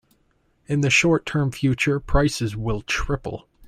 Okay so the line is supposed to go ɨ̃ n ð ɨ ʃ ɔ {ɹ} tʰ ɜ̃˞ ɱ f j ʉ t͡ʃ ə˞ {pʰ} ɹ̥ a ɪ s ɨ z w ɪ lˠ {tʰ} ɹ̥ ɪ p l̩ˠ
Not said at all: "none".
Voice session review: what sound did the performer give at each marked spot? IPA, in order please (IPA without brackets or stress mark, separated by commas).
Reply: ɹ, pʰ, tʰ